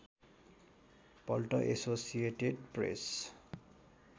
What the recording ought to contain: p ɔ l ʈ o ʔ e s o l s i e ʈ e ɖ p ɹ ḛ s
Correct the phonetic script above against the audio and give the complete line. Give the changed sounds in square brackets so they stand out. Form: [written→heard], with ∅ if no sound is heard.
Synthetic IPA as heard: p ɔ l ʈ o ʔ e s o [l→∅] s i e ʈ e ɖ p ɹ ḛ s